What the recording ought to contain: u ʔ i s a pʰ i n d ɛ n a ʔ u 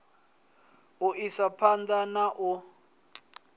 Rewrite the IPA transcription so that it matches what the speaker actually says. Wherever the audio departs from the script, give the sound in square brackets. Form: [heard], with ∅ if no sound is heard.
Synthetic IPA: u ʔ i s a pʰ [a] n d [a] n a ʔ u